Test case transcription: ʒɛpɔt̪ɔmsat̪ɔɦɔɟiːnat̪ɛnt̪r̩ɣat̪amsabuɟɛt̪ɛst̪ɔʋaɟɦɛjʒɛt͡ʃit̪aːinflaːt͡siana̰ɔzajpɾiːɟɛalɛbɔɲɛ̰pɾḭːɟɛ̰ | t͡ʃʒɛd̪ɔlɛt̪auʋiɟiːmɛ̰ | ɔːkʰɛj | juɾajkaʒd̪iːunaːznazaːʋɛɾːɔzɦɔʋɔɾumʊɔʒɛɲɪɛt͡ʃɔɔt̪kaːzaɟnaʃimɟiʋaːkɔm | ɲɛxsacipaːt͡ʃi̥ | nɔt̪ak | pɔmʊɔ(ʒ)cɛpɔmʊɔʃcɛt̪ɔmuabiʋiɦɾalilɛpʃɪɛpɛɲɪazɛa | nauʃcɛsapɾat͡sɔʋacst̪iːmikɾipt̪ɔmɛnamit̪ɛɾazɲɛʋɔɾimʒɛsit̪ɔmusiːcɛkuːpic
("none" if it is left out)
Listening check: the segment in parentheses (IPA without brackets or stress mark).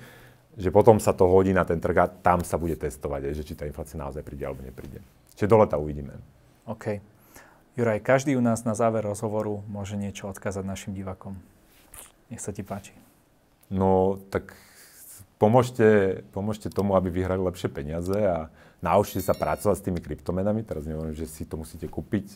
ʃ